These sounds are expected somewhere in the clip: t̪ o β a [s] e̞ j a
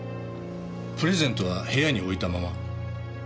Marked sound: incorrect: h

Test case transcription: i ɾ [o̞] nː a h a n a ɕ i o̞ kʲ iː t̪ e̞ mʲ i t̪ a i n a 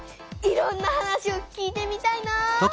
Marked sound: incorrect: õ̞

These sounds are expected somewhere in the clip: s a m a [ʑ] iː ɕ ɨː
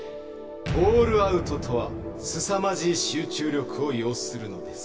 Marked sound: correct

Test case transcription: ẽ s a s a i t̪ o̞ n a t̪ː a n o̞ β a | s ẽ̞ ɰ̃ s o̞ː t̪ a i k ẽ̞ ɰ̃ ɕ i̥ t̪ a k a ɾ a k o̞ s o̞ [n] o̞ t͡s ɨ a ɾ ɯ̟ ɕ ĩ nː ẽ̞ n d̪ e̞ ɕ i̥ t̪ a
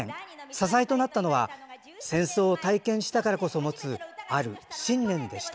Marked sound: incorrect: m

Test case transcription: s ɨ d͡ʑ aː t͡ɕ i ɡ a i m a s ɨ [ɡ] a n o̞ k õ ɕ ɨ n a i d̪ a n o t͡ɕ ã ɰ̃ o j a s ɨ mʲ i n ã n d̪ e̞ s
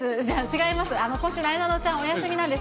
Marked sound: incorrect: none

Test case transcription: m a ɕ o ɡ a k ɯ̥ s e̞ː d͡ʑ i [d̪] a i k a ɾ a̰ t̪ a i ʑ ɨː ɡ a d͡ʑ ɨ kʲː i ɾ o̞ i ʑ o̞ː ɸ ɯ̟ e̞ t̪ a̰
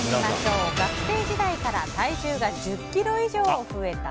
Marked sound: correct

